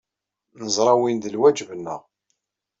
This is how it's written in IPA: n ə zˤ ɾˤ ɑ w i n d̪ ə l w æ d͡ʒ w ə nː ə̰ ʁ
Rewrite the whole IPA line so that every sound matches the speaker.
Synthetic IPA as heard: n ə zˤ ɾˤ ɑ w i n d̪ ə l w æ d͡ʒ v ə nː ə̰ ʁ